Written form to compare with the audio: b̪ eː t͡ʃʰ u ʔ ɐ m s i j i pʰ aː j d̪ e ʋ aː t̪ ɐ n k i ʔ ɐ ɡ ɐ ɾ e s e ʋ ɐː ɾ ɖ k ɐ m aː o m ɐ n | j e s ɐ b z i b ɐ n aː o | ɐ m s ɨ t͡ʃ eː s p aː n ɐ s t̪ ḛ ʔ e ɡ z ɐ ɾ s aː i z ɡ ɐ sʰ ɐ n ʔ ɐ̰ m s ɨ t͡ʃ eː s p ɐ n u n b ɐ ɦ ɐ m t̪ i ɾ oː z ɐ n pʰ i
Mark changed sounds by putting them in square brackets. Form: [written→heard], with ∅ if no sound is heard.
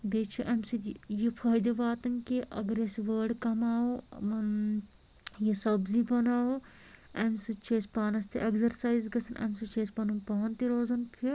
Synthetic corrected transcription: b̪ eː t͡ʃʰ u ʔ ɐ m s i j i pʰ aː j d̪ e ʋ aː t̪ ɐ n k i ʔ ɐ ɡ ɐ ɾ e s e ʋ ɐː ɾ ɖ k ɐ m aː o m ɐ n | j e s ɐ b z i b ɐ n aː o | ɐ m s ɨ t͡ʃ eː s p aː n ɐ s t̪ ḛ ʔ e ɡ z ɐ ɾ s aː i z ɡ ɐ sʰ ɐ n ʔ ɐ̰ m s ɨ t͡ʃ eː s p ɐ n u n [b→p] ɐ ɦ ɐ [m→n] t̪ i ɾ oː z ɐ n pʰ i